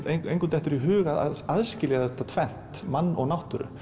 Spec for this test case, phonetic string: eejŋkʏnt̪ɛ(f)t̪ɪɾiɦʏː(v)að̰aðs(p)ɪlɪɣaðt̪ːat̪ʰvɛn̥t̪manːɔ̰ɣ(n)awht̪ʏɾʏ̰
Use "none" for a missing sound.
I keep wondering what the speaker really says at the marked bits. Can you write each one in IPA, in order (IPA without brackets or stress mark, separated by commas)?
h, ɣ, c, n